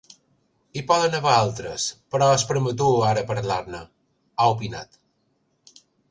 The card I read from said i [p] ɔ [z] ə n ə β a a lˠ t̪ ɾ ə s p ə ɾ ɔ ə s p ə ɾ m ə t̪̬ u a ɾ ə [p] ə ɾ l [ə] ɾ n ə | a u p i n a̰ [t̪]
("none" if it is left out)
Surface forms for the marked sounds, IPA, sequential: p, ð, p, a, t̪

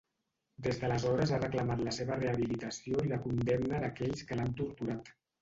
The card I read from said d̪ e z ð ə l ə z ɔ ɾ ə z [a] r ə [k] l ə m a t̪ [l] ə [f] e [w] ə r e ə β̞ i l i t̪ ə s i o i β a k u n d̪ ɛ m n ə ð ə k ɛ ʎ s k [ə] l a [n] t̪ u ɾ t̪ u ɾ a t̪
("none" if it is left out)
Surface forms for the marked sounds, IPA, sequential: a, k, l, s, β, ə, n

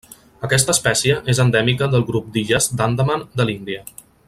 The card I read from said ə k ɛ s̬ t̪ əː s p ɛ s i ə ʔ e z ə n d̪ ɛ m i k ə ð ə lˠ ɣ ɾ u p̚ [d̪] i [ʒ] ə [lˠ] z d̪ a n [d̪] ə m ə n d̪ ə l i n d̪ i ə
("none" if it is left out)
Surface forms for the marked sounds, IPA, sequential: d̪, ʒ, none, d̪

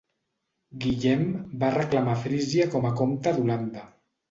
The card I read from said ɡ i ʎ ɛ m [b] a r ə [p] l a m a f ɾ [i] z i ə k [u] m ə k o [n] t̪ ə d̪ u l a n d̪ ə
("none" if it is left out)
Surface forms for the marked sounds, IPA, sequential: b, k, i, ɔ, m

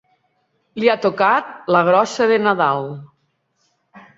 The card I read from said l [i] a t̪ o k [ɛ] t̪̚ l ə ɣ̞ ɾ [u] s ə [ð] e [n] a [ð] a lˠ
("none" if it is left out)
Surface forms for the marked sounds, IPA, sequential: i, a, ɔ, ð, n, ð

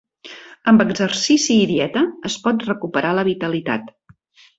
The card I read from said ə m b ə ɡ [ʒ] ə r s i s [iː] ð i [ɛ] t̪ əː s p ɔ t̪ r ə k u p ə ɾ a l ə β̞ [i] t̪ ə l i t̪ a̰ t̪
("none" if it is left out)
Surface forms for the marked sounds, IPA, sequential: z, iː, ɛ, i

